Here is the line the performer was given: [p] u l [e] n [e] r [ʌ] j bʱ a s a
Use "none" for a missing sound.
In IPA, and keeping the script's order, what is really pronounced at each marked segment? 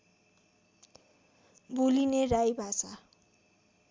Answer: b, i, e, a

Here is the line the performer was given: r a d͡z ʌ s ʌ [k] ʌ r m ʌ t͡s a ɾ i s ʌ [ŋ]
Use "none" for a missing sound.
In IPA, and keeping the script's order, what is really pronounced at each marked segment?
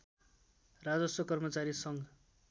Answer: k, ŋ

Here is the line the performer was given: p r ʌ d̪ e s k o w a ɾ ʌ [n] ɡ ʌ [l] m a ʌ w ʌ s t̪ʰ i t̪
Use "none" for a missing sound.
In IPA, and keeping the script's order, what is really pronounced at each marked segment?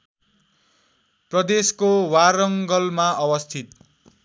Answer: ŋ, l

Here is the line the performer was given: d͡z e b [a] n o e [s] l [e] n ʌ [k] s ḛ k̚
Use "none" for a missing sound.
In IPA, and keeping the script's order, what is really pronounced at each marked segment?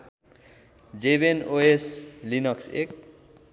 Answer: e, s, i, k

